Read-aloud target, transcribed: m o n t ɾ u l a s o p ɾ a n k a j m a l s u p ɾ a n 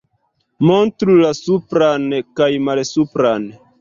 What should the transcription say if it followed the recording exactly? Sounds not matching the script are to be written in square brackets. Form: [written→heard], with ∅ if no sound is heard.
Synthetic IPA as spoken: m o n t ɾ u l a s [o→u] p ɾ a n k a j m a l s u p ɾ a n